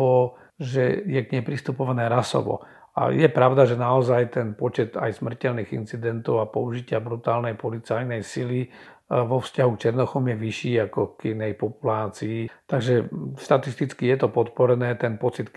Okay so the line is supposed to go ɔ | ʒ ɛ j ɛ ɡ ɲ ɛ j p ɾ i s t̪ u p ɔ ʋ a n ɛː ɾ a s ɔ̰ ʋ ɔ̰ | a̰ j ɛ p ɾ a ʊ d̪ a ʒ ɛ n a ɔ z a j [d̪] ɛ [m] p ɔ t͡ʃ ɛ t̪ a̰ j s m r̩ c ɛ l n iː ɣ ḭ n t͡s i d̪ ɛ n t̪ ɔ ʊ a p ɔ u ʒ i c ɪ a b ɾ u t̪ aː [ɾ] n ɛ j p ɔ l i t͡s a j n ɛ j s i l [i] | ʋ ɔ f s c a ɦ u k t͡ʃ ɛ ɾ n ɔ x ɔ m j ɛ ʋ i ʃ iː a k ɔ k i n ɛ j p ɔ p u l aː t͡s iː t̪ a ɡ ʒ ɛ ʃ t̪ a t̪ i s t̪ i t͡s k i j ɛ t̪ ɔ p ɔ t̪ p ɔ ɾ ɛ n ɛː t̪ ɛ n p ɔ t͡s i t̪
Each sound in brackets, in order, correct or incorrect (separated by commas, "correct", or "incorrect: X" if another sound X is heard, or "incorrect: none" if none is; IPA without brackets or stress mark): incorrect: t̪, incorrect: n, incorrect: l, correct